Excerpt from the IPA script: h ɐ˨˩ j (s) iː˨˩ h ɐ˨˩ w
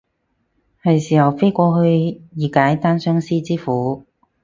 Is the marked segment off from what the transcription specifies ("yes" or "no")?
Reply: no